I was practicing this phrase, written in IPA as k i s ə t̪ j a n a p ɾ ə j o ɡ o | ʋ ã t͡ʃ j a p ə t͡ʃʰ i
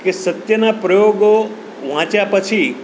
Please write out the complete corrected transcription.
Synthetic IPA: k e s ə t̪ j ə n a p ɾ ə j o ɡ o | ʋ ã t͡ʃ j a p ə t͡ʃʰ i

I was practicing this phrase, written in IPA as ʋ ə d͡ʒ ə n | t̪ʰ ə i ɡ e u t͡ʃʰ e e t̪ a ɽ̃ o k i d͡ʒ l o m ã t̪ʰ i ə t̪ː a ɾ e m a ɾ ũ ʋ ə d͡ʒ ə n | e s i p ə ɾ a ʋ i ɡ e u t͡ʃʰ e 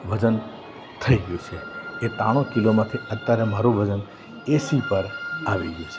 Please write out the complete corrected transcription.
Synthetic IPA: ʋ ə d͡ʒ ə n | t̪ʰ ə i ɡ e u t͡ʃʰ e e t̪ a ɽ̃ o k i l o m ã t̪ʰ i ə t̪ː a ɾ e m a ɾ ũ ʋ ə d͡ʒ ə n | e s i p ə ɾ a ʋ i ɡ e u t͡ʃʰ e

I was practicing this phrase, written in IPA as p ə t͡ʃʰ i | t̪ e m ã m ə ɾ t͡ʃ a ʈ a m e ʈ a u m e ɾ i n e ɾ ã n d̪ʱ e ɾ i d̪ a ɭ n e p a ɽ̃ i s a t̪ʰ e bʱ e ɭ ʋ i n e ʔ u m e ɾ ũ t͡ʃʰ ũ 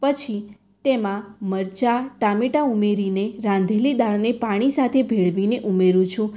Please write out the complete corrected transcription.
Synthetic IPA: p ə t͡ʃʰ i | t̪ e m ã m ə ɾ t͡ʃ a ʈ a m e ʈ a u m e ɾ i n e ɾ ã n d̪ʱ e l i d̪ a ɭ n e p a ɽ̃ i s a t̪ʰ e bʱ e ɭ ʋ i n e ʔ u m e ɾ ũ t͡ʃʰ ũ

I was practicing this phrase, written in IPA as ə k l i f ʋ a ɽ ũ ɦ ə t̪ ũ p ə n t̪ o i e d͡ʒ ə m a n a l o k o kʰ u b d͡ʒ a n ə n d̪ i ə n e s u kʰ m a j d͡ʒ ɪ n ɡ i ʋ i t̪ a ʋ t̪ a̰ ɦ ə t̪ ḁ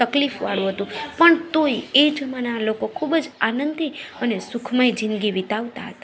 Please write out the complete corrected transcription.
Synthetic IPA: ə k l i f ʋ a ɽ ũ ɦ ə t̪ ũ p ə ɳ t̪ o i e d͡ʒ ə m a n a l o k o kʰ u b d͡ʒ a n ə n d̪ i ə n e s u kʰ m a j d͡ʒ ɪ n ɡ i ʋ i t̪ a ʋ t̪ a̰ ɦ ə t̪ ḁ

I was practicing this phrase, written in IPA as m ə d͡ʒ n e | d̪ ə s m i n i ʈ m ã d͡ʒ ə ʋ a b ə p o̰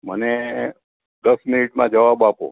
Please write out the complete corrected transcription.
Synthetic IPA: m ə n e | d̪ ə s m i n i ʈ m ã d͡ʒ ə ʋ a b a p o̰

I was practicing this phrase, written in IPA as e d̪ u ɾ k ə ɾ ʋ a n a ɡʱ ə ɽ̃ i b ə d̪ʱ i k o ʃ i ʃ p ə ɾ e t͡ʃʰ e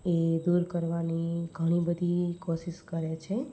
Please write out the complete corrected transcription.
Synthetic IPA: e d̪ u ɾ k ə ɾ ʋ a n i ɡʱ ə ɽ̃ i b ə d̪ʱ i k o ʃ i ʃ k ə ɾ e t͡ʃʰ e

